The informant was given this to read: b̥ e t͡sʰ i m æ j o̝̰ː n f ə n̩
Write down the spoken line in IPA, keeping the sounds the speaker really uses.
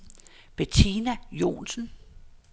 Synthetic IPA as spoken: b̥ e t͡sʰ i n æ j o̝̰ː n s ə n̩